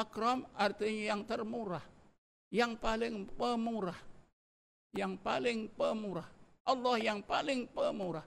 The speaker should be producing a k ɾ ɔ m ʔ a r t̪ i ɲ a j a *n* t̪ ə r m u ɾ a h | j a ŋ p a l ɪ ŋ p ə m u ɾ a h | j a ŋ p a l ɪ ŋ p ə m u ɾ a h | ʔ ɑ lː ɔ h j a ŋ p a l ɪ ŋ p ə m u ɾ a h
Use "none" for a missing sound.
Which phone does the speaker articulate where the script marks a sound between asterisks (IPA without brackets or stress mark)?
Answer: ŋ